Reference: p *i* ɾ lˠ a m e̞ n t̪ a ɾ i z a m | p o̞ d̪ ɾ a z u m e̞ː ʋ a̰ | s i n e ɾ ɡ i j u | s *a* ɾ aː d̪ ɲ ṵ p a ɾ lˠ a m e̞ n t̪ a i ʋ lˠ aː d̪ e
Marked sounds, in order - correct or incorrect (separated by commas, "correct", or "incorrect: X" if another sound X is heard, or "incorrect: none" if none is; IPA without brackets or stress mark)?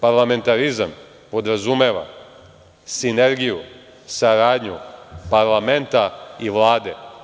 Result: incorrect: a, correct